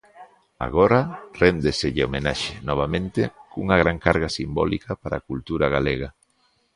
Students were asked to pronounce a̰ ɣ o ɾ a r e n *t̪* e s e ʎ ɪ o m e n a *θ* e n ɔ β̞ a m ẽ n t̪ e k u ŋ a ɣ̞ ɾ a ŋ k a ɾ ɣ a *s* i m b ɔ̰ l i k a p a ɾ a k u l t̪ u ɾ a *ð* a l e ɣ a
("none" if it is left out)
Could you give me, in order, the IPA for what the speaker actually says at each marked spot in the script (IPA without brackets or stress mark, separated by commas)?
d̪, ʃ, s, ɣ